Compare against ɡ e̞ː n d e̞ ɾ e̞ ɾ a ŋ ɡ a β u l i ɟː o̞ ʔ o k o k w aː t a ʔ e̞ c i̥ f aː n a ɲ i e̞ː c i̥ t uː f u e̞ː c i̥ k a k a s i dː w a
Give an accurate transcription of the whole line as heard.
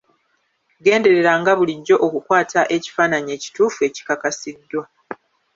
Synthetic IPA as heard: ɡ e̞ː n d e̞ ɾ e̞ ɾ a ŋ ɡ a β u l i ɟː o̞ ʔ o k u k w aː t a ʔ e̞ c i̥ f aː n a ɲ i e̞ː c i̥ t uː f u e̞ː c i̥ k a k a s i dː w a